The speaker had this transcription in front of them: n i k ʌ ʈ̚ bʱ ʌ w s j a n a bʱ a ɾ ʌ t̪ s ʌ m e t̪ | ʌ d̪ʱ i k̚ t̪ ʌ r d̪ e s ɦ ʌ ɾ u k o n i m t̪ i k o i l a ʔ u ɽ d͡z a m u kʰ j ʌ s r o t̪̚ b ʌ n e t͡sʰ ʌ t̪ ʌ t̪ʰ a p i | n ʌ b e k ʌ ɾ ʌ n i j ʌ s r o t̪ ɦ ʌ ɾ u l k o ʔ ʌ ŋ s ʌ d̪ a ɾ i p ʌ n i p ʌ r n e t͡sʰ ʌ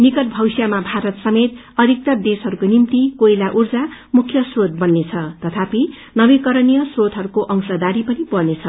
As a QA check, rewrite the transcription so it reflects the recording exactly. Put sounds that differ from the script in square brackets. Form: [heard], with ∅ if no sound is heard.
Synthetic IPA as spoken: n i k ʌ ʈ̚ bʱ ʌ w s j a [m] a bʱ a ɾ ʌ t̪ s ʌ m e t̪ | ʌ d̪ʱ i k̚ t̪ ʌ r d̪ e s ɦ ʌ ɾ u k o n i m t̪ i k o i l a ʔ u [r] d͡z a m u kʰ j ʌ s r o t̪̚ b ʌ [nː] e t͡sʰ ʌ t̪ ʌ t̪ʰ a p i | n ʌ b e k ʌ ɾ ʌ n i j ʌ s r o t̪ ɦ ʌ ɾ u [∅] k o ʔ ʌ ŋ s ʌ d̪ a ɾ i p ʌ n i p ʌ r n e t͡sʰ ʌ

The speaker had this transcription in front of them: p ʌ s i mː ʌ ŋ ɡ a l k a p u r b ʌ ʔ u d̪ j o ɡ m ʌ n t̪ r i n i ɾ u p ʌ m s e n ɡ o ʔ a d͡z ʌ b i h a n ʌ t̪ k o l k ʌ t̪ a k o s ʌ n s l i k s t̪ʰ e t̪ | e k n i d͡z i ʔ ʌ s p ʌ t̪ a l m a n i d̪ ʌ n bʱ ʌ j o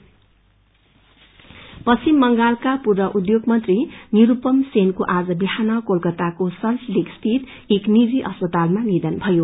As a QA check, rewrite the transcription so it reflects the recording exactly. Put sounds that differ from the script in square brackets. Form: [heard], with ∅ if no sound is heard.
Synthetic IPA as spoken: p ʌ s i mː ʌ ŋ ɡ a l k a p u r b ʌ ʔ u d̪ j o ɡ m ʌ n t̪ r i n i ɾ u p ʌ m s e n [k] o ʔ a d͡z ʌ b i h a n ʌ [∅] k o l k ʌ t̪ a k o s ʌ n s l i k s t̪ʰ [i] t̪ | e k n i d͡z i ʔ ʌ s p ʌ t̪ a l m a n i d̪ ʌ n bʱ ʌ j o

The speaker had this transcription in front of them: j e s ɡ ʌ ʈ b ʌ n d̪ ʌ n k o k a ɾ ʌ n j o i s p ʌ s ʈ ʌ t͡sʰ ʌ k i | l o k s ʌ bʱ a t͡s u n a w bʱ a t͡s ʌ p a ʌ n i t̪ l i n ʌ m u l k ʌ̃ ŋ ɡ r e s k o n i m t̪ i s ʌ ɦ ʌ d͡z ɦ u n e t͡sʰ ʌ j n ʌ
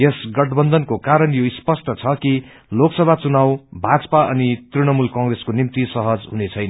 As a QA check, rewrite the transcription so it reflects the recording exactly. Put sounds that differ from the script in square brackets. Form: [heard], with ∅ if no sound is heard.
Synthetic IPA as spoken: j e s ɡ ʌ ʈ b ʌ n d̪ ʌ n k o k a ɾ ʌ n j o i s p ʌ s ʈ ʌ t͡sʰ ʌ k i | l o k s ʌ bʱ a t͡s u n a w bʱ a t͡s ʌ p a ʌ n i t̪ [r] i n ʌ m u l k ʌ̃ ŋ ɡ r e s k o n i m t̪ i s ʌ ɦ ʌ d͡z ɦ u n e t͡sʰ ʌ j n ʌ

